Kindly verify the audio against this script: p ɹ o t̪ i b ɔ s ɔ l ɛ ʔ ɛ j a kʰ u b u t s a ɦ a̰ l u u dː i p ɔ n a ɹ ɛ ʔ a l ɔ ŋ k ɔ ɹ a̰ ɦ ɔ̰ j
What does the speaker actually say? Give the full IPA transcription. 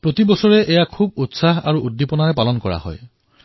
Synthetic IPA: p ɹ o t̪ i b ɔ s ɔ ɹ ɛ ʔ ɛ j a kʰ u b u t s a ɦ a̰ ɹ u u dː i p ɔ n a ɹ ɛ p a l ɔ n k ɔ ɹ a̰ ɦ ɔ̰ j